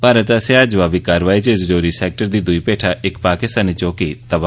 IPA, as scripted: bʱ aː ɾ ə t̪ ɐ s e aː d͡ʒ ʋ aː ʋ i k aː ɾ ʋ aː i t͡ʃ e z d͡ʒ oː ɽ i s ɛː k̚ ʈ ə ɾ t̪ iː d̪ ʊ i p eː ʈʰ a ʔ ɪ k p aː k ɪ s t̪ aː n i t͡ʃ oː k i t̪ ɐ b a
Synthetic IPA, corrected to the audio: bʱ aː ɾ ə t̪ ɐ s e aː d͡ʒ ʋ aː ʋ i k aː ɾ ʋ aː i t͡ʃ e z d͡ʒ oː ɾ i s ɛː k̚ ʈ ə ɾ d̪ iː d̪ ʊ i p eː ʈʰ a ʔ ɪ k p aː k ɪ s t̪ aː n i t͡ʃ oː k i t̪ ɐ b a